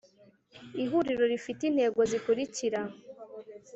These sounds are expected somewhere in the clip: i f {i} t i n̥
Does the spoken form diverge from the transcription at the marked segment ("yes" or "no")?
no